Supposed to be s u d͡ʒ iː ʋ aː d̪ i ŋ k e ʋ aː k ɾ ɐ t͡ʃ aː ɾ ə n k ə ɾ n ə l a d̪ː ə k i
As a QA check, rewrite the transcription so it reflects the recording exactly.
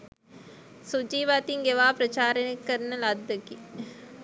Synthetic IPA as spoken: s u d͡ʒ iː ʋ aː t̪ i ŋ ɡ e ʋ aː p ɾ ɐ t͡ʃ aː ɾ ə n k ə ɾ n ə l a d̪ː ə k i